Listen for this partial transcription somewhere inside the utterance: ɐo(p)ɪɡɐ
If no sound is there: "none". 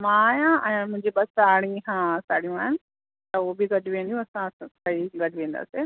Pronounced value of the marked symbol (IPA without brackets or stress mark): b